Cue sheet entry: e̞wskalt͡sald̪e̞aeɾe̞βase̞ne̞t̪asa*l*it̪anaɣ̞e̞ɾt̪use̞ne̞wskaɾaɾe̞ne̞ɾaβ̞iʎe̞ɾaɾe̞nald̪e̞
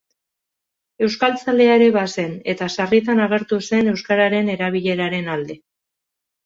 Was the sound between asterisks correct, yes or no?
no